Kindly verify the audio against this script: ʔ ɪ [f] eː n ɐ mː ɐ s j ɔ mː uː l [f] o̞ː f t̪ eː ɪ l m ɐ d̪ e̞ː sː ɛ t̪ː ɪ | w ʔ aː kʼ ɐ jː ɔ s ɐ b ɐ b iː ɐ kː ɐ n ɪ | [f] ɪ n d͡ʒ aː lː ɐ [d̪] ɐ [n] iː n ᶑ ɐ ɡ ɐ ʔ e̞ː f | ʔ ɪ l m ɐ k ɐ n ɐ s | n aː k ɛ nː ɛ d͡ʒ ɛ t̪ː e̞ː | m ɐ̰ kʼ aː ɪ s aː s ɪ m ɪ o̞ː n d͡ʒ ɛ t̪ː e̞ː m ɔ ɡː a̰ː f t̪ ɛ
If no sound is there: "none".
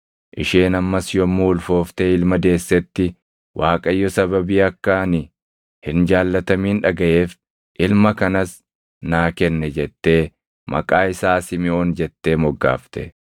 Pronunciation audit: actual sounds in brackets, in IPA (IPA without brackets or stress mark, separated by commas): ʃ, f, h, t̪, m